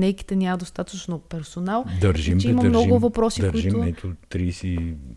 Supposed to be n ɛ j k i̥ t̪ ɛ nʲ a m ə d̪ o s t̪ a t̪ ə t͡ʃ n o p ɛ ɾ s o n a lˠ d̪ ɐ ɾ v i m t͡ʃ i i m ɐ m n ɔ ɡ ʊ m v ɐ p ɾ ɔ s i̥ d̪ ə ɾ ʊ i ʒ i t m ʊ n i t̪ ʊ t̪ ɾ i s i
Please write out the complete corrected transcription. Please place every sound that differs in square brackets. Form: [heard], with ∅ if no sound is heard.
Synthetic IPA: n ɛ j k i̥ t̪ ɛ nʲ a m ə d̪ o s t̪ a t̪ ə t͡ʃ n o p ɛ ɾ s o n a lˠ d̪ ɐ ɾ [ʒ] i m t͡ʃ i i m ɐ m n ɔ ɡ ʊ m v ɐ p ɾ ɔ s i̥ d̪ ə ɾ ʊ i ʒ i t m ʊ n [ɛ] t̪ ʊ t̪ ɾ i s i